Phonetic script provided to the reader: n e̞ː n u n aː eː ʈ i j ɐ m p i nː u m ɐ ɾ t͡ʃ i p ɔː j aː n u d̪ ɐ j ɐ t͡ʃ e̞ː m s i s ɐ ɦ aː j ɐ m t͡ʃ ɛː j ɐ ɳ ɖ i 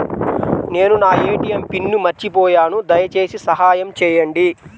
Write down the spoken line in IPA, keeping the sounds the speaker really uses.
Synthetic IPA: n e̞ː n u n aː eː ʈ i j ɐ m p i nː u m ɐ ɾ t͡ʃ i p ɔː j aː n u d̪ ɐ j ɐ t͡ʃ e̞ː s i s ɐ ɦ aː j ɐ m t͡ʃ ɛː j ɐ ɳ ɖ i

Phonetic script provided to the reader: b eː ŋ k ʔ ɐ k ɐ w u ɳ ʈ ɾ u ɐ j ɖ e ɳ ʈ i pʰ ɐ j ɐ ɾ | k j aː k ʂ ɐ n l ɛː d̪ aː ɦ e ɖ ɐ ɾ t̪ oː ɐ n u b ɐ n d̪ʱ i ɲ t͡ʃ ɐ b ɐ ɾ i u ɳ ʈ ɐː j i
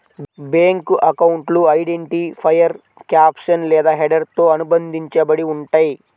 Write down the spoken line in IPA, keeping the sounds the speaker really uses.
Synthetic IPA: b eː ŋ k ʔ ɐ k ɐ w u ɳ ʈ l u ɐ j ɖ e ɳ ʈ i pʰ ɐ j ɐ ɾ | k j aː p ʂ ɐ n l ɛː d̪ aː ɦ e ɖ ɐ ɾ t̪ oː ɐ n u b ɐ n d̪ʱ i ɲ t͡ʃ ɐ b ɐ ɽ i u ɳ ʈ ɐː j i

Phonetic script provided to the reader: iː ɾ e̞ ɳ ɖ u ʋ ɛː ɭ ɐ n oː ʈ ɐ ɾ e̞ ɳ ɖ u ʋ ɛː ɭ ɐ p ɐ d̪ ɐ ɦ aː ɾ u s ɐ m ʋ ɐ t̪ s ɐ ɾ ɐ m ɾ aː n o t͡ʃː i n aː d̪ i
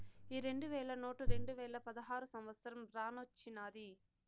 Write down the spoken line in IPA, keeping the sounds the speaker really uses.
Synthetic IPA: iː ɾ e̞ ɳ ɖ u ʋ ɛː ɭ ɐ n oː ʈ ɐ ɾ e̞ ɳ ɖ u ʋ ɛː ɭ ɐ p ɐ d̪ ɐ ɦ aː ɾ u s ɐ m ʋ ɐ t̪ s ɐ ɾ ɐ m ɾ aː n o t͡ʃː i n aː d̪ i

